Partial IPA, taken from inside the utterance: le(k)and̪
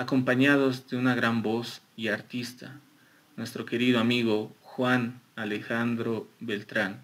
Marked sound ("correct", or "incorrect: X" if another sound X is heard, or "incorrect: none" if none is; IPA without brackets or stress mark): incorrect: x